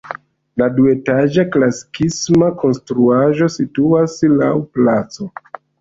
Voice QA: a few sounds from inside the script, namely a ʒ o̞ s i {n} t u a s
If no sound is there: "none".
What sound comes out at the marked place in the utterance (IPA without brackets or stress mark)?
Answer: none